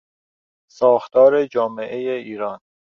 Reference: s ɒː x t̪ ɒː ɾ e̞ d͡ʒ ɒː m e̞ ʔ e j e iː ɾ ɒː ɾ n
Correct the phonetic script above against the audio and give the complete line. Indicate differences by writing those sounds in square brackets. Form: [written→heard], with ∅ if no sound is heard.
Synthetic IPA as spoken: s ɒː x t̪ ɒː ɾ e̞ d͡ʒ ɒː m e̞ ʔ e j e iː ɾ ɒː [ɾ→∅] n